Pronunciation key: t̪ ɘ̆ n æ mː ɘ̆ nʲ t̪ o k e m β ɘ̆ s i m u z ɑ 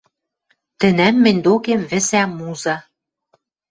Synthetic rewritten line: t̪ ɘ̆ n æ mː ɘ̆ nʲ d̪ o k e m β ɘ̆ s æ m u z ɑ